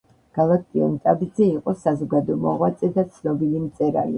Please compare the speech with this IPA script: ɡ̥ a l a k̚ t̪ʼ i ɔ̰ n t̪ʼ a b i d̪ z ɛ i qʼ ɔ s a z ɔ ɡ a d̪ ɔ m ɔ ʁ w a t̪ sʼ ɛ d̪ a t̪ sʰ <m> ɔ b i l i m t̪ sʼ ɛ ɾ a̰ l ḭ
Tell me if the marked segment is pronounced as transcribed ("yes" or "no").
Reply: no